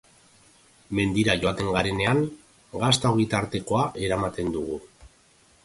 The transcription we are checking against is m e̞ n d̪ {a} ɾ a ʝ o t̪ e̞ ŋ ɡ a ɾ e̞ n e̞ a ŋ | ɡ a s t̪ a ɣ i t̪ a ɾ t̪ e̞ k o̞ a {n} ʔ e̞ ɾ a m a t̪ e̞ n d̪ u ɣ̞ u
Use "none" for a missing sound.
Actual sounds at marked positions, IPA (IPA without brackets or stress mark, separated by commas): i, none